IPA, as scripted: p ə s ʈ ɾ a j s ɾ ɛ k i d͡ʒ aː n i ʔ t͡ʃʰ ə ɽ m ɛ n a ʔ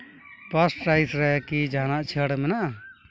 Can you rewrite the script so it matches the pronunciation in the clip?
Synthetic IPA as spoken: p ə s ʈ ɾ a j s ɾ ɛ k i d͡ʒ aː n a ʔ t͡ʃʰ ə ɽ m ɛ n a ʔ